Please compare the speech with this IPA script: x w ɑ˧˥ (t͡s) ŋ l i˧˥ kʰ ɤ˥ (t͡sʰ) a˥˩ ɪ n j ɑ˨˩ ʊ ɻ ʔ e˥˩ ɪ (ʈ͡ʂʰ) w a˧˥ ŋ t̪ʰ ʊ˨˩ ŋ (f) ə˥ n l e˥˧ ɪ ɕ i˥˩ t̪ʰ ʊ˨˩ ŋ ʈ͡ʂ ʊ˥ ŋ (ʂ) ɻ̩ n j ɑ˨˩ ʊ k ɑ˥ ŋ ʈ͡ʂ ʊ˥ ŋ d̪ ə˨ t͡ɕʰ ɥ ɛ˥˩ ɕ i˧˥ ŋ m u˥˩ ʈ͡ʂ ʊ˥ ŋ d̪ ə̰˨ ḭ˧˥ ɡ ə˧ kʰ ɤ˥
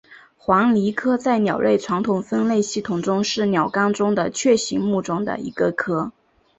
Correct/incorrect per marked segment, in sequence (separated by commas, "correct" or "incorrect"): incorrect, incorrect, correct, correct, correct